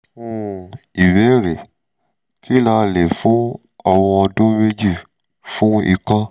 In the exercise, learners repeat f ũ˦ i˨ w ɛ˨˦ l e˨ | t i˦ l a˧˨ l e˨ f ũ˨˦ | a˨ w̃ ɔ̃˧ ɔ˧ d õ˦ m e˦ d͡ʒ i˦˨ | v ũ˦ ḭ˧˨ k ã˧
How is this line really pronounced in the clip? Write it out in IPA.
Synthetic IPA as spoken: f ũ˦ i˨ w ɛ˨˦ ɾ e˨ | k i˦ l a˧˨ l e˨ f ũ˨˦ | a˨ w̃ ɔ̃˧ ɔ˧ d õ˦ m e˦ d͡ʒ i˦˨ | f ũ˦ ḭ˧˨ k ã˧